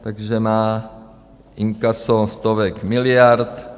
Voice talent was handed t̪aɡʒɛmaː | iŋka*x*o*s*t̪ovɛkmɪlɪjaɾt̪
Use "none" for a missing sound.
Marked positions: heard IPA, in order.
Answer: s, s

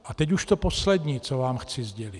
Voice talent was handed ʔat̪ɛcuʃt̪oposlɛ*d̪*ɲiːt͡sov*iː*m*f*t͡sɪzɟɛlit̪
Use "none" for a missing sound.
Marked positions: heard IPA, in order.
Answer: d̪, aː, x

